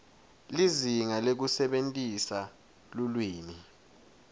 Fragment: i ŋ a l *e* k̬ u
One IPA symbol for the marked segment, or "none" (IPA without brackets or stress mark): e